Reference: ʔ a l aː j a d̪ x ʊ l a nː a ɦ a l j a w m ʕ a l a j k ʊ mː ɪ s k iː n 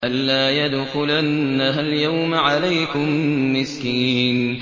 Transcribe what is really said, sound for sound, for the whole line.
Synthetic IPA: ʔ a lː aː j a d̪ x ʊ l a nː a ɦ a l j a w m ʕ a l a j k ʊ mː ɪ s k iː n